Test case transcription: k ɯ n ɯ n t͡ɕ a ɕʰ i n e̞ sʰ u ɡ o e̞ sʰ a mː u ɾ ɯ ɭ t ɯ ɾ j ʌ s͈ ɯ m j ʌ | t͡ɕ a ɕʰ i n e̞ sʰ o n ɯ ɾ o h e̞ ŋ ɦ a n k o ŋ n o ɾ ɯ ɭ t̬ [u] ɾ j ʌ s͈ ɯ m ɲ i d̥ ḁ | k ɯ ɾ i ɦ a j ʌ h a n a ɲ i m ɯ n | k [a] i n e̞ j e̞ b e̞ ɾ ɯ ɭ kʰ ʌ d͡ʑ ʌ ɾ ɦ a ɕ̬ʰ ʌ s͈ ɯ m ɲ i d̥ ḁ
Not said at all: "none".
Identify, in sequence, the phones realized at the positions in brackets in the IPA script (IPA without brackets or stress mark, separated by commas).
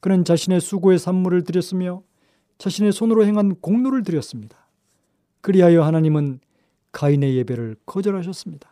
ɯ, a